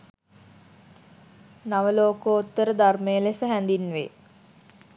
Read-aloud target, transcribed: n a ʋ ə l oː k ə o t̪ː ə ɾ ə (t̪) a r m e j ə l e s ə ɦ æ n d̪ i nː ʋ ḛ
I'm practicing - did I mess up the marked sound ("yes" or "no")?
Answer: yes